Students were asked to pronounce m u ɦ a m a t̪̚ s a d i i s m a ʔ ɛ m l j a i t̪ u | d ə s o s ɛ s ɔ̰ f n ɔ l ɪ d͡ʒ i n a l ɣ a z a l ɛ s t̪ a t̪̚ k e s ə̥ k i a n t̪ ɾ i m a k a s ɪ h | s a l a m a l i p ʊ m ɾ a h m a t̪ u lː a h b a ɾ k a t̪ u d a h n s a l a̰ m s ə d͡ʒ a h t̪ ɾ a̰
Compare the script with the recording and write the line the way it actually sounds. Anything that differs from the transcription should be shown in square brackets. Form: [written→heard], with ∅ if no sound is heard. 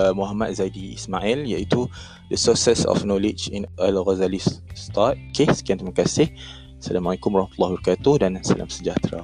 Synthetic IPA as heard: m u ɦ a m a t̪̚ [s→z] a d i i s m a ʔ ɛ [m→∅] l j a i t̪ u | d ə s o s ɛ s ɔ̰ f n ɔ l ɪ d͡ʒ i n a l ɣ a z a l [ɛ→i] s t̪ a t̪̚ k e s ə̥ k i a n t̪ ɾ i m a k a s ɪ h | s a l a m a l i [p→k] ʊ m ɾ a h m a t̪ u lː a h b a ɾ k a t̪ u d a [h→∅] n s a l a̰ m s ə d͡ʒ a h t̪ ɾ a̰